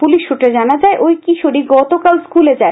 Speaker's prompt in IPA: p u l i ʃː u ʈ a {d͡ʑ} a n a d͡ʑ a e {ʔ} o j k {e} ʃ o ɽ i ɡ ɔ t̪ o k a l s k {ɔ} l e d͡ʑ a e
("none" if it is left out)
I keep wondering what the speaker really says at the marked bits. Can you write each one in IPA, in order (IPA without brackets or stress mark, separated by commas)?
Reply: d͡ʑ, ʔ, i, u